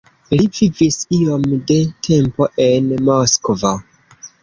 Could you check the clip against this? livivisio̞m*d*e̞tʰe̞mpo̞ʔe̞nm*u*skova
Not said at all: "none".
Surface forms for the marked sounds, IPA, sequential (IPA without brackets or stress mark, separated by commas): d, o